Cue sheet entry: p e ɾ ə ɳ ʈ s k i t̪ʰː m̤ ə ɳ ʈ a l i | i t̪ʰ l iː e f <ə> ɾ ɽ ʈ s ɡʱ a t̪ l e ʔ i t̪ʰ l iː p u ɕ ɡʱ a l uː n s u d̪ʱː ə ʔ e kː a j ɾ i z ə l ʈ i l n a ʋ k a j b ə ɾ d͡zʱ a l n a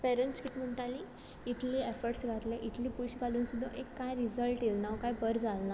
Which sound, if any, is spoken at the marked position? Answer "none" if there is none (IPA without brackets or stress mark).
ə